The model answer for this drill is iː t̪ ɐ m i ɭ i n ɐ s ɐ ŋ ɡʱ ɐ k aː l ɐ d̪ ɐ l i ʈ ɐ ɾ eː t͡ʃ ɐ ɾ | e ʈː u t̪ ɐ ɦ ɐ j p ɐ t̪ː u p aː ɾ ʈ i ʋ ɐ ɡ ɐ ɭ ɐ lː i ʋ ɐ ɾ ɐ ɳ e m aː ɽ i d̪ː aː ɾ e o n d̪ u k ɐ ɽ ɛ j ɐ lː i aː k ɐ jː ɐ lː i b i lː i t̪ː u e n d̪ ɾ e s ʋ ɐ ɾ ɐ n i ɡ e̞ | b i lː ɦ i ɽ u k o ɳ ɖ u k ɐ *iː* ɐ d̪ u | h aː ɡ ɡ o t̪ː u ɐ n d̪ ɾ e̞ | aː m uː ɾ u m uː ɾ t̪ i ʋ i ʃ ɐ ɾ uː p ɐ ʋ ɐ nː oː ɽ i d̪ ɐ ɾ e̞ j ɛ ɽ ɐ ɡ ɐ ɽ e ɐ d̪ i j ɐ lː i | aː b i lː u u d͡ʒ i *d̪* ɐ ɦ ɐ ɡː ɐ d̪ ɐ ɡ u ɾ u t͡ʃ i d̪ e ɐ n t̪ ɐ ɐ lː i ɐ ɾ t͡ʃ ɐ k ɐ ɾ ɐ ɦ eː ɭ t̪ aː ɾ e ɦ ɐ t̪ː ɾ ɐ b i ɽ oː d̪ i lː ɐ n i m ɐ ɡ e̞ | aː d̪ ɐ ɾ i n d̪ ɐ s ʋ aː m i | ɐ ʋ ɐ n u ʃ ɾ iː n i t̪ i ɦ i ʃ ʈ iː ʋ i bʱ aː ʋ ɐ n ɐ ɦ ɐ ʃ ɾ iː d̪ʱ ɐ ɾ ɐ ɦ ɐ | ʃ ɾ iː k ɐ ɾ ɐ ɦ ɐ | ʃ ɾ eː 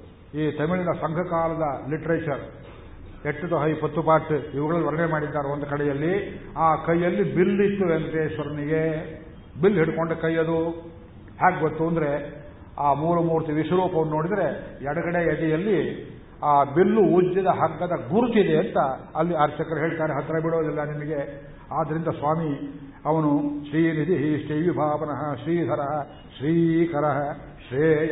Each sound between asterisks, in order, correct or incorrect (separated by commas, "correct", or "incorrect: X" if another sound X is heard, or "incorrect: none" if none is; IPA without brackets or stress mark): incorrect: jː, correct